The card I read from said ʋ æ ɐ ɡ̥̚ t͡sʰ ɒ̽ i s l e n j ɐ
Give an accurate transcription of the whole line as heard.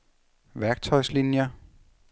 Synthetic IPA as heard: ʋ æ ɐ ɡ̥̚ t͡sʰ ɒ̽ ɪ s l i n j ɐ

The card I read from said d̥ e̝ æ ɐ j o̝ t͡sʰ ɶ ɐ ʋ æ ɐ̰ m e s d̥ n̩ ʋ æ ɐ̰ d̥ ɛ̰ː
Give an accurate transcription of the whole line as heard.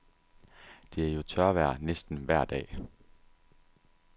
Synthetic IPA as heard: d̥ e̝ æ ɐ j o̝ t͡sʰ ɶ ɐ ʋ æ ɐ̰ n e s d̥ n̩ ʋ æ ɐ̰ d̥ ɛ̰ː

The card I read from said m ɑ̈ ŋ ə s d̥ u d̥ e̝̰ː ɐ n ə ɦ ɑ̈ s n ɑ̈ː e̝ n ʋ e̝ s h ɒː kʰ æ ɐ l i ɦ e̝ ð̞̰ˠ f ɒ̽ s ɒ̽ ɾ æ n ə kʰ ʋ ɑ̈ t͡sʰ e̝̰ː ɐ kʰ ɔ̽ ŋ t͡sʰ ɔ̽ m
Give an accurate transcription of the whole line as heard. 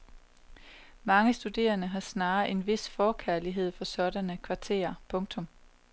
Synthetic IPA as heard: m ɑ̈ ŋ ə s d̥ u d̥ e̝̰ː ɐ n ə ɦ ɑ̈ s n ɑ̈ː e̝ n ʋ e̝ s f ɒː kʰ æ ɐ l i ɦ e̝ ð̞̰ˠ f ɒ̽ s ɒ̽ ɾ æ n ə kʰ ʋ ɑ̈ t͡sʰ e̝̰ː ɐ pʰ ɔ̽ ŋ t͡sʰ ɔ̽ m

